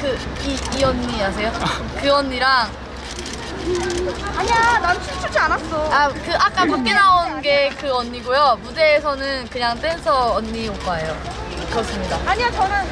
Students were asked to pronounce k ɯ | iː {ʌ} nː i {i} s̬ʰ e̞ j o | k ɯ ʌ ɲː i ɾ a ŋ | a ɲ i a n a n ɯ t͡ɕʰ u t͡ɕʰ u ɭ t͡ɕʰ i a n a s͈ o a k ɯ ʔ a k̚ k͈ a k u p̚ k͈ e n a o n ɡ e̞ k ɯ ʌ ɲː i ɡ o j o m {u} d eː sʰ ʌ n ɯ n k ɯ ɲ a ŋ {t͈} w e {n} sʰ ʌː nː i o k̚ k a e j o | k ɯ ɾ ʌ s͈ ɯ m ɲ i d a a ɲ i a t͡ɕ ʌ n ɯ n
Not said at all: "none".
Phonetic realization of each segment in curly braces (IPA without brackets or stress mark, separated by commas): ʌ, a, u, t͈, n